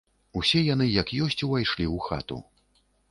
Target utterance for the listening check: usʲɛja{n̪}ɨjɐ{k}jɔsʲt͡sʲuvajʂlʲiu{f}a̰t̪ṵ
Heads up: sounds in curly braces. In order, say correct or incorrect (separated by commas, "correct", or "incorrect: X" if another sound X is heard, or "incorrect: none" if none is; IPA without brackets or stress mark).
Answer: correct, correct, incorrect: x